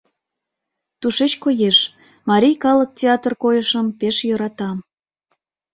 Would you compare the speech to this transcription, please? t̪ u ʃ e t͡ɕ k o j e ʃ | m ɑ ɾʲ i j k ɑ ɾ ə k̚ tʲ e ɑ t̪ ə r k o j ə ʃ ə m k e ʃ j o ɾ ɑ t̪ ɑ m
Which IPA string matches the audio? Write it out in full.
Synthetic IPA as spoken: t̪ u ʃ e t͡ɕ k o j e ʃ | m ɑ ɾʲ i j k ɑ l ə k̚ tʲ e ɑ t̪ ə r k o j ə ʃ ə m p e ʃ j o ɾ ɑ t̪ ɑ m